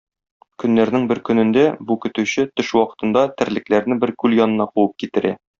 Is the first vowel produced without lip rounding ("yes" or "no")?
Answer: no